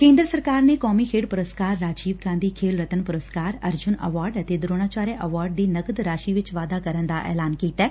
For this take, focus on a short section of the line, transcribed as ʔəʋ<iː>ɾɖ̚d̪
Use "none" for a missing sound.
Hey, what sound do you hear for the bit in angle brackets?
aː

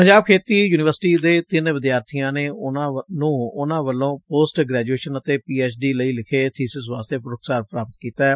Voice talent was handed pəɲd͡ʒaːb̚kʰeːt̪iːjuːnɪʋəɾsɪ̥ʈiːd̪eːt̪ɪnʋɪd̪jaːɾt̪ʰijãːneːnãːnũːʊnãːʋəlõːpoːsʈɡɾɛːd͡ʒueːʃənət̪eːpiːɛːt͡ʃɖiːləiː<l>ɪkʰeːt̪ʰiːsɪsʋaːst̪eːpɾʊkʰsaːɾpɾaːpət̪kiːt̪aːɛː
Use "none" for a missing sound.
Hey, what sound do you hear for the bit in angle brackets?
l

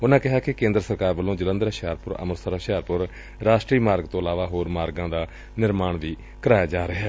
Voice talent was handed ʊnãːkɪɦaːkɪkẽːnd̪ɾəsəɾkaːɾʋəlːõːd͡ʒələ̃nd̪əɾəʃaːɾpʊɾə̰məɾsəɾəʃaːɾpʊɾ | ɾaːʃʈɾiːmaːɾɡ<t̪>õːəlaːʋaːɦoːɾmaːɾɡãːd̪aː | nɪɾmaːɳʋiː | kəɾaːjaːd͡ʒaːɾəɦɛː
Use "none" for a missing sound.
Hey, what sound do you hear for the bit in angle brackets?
t̪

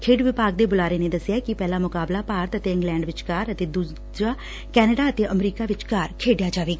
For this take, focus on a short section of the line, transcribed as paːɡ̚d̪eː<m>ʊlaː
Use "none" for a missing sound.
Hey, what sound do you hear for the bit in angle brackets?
b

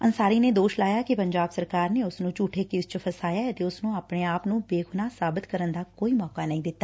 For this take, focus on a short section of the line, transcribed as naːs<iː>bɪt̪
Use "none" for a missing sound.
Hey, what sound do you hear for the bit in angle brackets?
aː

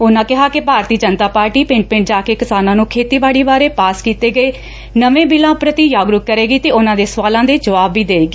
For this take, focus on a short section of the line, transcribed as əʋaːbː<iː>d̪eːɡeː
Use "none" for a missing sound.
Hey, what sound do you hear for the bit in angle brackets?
iː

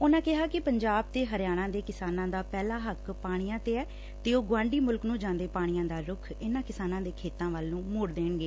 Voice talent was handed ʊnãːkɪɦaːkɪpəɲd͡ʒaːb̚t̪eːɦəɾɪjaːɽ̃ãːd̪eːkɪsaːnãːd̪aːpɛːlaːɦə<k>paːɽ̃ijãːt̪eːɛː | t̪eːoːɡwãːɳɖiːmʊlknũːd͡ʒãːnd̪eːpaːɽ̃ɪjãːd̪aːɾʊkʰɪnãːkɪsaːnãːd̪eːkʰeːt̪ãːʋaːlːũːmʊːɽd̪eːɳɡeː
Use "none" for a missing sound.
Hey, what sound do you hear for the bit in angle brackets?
k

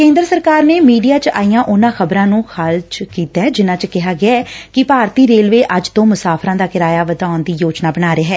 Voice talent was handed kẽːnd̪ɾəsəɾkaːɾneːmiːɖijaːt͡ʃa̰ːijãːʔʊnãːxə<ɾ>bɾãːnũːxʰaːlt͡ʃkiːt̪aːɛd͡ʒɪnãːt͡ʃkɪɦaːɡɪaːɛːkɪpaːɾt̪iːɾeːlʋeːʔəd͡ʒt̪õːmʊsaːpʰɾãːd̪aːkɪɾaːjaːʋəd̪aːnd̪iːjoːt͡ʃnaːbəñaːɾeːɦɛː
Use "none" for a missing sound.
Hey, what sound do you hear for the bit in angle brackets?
none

